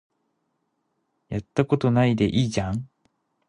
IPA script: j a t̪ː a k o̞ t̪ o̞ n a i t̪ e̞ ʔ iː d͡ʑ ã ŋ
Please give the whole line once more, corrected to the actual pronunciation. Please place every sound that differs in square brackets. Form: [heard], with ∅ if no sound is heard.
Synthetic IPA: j a t̪ː a k o̞ t̪ o̞ n a i [d̪] e̞ ʔ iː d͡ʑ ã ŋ